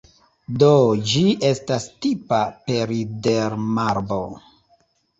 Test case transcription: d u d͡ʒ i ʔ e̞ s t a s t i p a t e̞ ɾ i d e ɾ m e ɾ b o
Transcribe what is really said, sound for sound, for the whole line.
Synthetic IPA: d o d͡ʒ i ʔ e̞ s t a s t i p a p e̞ ɾ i d e ɾ m a ɾ b o